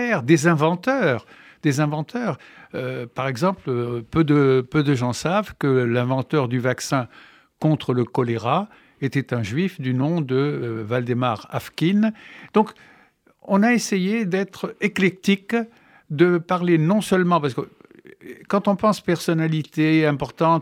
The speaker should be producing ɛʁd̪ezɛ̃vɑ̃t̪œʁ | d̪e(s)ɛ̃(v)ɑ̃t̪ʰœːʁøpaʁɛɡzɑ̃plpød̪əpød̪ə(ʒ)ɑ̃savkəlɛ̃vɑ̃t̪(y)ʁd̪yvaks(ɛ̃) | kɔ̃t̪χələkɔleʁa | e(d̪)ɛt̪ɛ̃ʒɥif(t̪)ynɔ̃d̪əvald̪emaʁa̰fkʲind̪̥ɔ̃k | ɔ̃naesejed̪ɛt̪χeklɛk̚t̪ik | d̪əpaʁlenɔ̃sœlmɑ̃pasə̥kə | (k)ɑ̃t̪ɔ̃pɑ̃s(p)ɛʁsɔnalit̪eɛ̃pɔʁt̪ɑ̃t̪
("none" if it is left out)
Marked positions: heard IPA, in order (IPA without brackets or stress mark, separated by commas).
z, v, ʒ, œ, ɛ̃, t̪, d̪, k, p